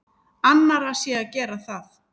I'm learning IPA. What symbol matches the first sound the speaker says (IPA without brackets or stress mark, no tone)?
a